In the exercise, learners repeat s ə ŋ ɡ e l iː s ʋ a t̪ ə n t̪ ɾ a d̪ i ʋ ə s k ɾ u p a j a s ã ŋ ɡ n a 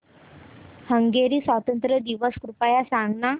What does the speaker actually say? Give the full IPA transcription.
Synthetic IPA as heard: h ə ŋ ɡ e ɾ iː s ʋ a t̪ ə n t̪ ɾ ə d̪ i ʋ ə s k ɾ u p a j a s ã ŋ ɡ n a